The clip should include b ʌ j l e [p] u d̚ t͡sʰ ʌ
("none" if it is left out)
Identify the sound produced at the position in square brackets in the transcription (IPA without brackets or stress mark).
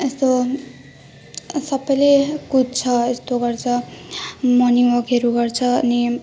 k